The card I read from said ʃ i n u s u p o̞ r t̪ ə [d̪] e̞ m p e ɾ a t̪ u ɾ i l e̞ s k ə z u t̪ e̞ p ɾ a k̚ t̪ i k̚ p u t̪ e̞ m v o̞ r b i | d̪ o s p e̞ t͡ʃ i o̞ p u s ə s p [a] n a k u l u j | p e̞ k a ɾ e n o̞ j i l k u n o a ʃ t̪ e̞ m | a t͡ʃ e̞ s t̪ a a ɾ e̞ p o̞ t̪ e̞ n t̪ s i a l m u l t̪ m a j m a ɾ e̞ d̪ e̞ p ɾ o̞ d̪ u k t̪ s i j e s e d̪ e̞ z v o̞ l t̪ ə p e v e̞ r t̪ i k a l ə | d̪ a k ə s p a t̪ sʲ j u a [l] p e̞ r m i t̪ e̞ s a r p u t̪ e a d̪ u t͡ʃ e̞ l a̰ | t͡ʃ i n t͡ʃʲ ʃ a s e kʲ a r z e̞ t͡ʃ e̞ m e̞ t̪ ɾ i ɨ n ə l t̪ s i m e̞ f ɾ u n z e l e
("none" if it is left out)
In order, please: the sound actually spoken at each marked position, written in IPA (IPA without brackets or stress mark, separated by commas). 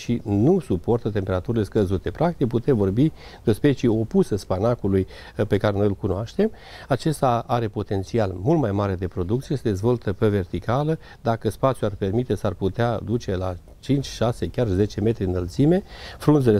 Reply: t̪, a, r